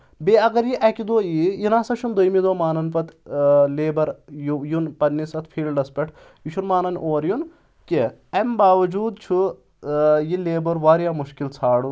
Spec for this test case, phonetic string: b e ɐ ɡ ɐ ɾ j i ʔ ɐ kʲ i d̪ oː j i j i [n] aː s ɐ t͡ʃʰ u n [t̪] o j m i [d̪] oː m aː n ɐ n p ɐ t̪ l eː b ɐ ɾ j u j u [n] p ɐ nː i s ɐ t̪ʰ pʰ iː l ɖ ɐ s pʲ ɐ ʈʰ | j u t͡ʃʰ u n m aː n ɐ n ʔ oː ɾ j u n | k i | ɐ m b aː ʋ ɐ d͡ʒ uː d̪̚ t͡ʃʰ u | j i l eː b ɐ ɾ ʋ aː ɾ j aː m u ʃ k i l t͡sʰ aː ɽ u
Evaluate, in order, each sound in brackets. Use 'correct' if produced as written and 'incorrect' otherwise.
correct, incorrect: d̪, correct, correct

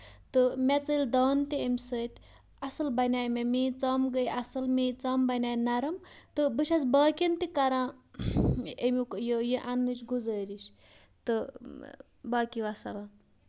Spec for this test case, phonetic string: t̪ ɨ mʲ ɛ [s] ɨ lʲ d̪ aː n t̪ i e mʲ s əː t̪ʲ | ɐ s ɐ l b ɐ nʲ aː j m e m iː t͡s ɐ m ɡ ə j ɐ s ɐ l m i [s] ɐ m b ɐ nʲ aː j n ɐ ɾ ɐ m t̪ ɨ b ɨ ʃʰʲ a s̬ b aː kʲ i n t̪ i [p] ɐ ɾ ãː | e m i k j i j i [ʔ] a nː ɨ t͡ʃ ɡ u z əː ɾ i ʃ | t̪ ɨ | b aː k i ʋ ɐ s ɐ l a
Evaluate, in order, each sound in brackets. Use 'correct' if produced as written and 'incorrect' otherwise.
incorrect: t͡s, incorrect: t͡s, incorrect: k, correct

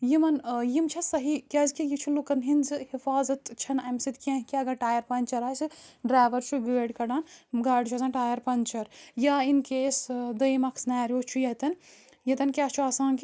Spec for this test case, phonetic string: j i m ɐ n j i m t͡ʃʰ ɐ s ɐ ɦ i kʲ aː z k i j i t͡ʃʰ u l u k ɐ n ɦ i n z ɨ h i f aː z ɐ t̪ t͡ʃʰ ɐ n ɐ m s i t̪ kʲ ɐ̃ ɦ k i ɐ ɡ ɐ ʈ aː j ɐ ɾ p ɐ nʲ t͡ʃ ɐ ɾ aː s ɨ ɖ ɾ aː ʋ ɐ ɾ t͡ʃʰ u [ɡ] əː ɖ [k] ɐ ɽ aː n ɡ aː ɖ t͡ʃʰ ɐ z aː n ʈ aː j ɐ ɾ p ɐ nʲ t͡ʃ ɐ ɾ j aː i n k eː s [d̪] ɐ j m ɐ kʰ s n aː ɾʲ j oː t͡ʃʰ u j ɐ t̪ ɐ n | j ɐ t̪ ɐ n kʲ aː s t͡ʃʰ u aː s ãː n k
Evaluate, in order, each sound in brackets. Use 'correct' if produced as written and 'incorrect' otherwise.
correct, correct, correct

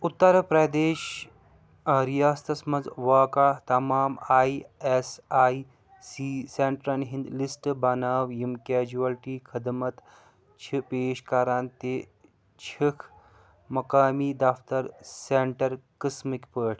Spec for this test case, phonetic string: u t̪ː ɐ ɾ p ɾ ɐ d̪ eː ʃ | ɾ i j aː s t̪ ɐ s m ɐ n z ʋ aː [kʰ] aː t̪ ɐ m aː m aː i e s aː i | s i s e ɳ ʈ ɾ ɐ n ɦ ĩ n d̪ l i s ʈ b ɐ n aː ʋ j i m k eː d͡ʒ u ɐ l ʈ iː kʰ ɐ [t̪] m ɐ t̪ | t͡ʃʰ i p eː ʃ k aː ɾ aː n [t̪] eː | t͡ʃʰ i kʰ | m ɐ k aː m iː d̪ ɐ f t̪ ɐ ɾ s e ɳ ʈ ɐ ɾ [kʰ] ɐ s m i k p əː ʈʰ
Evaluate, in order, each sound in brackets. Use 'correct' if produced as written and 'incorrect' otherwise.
incorrect: k, incorrect: d̪, correct, incorrect: k

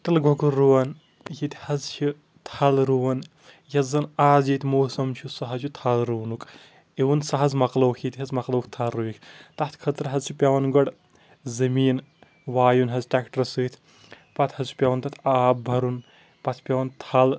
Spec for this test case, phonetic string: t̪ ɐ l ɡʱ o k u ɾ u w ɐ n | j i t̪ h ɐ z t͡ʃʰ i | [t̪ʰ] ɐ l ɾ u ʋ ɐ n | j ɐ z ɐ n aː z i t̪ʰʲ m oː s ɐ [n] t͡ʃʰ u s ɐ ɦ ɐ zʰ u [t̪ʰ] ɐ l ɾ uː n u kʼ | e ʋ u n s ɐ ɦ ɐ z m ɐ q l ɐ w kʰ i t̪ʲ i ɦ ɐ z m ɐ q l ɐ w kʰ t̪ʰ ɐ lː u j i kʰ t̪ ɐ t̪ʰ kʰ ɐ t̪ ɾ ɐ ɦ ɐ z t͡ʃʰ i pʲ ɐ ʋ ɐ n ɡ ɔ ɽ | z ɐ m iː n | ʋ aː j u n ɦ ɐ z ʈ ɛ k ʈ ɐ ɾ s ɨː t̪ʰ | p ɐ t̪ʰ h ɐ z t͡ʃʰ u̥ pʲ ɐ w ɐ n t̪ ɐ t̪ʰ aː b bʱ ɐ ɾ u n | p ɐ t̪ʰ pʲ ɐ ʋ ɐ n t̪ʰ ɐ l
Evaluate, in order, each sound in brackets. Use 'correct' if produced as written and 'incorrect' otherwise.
correct, incorrect: m, correct

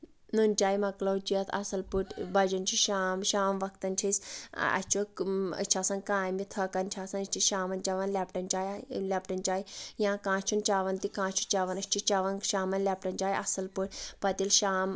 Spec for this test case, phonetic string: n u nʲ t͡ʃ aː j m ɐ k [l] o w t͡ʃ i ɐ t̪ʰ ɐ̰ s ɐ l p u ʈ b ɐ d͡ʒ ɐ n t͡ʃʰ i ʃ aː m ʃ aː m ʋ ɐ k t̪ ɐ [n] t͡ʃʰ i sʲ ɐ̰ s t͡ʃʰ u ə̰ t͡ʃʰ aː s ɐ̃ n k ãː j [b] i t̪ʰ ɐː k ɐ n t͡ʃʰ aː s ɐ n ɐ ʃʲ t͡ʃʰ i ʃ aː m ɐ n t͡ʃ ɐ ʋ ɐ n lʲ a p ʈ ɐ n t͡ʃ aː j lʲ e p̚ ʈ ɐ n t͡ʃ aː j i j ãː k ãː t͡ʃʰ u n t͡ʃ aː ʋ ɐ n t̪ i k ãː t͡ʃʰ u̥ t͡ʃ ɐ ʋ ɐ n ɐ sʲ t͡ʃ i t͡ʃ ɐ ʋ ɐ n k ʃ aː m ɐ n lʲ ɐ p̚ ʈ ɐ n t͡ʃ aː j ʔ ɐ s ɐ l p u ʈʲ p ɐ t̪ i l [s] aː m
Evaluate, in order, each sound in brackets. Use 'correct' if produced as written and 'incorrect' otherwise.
correct, correct, incorrect: m, incorrect: ʃ

